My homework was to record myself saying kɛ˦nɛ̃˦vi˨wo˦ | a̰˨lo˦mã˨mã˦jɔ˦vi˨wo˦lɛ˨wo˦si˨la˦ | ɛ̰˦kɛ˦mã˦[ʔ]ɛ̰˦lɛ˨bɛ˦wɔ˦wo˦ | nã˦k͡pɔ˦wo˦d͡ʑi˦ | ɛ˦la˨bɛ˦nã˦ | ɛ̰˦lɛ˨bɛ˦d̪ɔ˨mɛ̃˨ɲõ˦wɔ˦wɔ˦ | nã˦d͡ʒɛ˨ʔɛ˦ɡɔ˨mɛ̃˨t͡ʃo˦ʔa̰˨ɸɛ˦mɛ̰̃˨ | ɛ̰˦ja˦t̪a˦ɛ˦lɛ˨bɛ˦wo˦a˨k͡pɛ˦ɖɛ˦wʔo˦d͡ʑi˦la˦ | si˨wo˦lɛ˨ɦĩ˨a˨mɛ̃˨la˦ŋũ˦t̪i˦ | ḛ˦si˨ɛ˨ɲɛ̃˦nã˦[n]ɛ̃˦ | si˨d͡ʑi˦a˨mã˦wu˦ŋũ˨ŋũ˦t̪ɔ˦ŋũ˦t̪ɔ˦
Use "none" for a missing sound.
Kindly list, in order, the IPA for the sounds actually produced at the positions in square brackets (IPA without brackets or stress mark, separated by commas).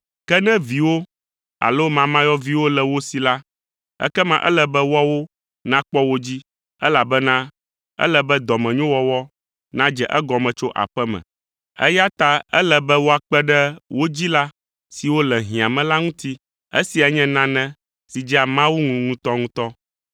ʔ, n